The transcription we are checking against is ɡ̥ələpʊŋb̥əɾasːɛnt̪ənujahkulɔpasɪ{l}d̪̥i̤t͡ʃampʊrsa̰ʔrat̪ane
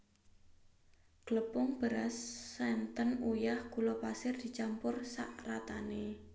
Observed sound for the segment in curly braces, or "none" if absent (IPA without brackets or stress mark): r